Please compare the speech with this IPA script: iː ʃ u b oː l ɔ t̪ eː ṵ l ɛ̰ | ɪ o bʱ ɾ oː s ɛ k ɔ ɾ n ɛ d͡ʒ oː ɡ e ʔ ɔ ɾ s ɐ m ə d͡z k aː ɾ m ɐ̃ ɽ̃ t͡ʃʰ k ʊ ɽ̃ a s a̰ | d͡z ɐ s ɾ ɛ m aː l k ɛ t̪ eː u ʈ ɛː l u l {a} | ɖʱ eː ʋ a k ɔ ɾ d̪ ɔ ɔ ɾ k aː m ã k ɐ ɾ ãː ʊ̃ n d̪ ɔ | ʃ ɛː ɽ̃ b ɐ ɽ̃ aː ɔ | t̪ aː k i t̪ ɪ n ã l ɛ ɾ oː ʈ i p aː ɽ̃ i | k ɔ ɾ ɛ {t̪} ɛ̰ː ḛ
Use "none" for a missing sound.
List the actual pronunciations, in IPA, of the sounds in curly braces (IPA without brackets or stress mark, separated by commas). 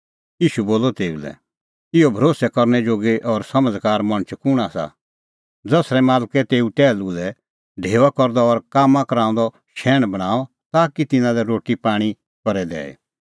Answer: ɛ, d̪